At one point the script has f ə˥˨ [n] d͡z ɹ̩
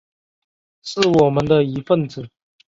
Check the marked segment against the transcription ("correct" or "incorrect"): correct